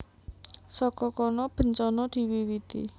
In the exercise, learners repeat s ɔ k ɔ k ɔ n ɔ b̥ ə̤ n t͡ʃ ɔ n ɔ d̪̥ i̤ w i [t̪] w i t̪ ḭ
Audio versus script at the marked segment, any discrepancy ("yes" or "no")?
yes